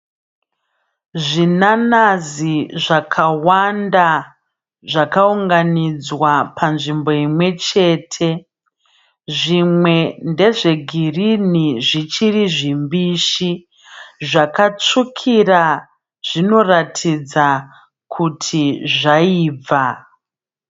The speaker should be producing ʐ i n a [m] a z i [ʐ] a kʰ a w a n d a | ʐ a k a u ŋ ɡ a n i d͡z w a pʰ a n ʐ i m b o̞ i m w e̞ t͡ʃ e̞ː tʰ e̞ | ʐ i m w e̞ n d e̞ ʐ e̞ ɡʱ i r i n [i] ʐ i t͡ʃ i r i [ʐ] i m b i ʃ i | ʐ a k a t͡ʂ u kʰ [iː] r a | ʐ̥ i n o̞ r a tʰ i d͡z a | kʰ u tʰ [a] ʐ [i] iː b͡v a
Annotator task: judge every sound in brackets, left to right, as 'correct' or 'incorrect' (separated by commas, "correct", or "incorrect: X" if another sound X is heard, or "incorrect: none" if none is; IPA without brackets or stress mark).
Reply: incorrect: n, correct, correct, correct, incorrect: i, incorrect: i, incorrect: a